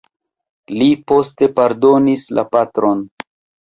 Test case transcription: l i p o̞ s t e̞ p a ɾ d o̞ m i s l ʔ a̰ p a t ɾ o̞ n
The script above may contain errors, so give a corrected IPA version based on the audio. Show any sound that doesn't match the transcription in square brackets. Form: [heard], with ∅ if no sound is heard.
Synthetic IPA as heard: l i p o̞ s t e̞ p a ɾ d o̞ [n] i s l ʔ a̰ p a t ɾ o̞ n

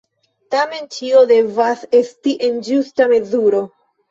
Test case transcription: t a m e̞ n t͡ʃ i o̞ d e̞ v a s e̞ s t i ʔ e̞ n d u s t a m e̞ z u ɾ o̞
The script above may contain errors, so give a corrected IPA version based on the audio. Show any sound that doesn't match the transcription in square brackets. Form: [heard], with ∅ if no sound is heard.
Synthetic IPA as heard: t a m e̞ n t͡ʃ i o̞ d e̞ v a s e̞ s t i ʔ e̞ n [d͡ʒ] u s t a m e̞ z u ɾ o̞

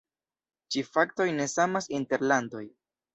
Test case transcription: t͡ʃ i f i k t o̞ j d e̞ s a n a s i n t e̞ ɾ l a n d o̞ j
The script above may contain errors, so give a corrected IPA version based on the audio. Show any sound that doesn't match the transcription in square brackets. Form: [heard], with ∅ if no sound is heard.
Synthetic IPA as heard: t͡ʃ i f [a] k t o̞ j [n] e̞ s a [m] a s i n t e̞ ɾ l a n d o̞ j

